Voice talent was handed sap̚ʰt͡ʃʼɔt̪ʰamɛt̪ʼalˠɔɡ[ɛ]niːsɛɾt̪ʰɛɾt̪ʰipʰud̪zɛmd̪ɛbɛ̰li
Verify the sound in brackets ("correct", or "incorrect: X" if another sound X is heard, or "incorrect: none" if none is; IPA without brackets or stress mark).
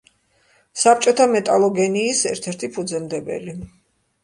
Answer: correct